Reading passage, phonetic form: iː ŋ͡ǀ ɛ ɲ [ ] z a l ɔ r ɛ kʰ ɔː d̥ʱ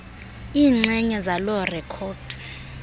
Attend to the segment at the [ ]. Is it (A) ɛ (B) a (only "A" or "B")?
A